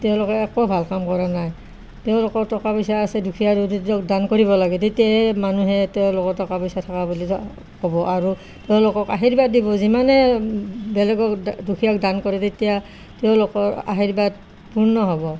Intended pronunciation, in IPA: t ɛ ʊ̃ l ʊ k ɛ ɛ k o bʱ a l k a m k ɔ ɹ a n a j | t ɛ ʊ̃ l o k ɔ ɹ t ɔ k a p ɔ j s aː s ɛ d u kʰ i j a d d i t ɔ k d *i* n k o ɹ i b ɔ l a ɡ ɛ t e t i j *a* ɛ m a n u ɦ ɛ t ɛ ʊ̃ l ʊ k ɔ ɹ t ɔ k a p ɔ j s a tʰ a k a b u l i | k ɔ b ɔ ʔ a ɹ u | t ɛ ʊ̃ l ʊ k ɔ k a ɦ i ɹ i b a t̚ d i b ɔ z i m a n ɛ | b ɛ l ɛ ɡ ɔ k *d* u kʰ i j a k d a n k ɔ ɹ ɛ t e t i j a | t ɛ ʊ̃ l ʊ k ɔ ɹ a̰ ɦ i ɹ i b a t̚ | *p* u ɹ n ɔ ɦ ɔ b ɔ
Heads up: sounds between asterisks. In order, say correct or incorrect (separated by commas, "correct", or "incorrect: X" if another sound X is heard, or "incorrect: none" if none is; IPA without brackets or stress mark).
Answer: incorrect: a, correct, correct, correct